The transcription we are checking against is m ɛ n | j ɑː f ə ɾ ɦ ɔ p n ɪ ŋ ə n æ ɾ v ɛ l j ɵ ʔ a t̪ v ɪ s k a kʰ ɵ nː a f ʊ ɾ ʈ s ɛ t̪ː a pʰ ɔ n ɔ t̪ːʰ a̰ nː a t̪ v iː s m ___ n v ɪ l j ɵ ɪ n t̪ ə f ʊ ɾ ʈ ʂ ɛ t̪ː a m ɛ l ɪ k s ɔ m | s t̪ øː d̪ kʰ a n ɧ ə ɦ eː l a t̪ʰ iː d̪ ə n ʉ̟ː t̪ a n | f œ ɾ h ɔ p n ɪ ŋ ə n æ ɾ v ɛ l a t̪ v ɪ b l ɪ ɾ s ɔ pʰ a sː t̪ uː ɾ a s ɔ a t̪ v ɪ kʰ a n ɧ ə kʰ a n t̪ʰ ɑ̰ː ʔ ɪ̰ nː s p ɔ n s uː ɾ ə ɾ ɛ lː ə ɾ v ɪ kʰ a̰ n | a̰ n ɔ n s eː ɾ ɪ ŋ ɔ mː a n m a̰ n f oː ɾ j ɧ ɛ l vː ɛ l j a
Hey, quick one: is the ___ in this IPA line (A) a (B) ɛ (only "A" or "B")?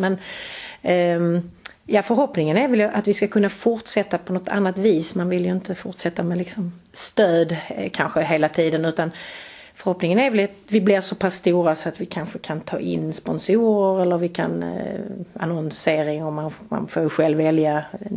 A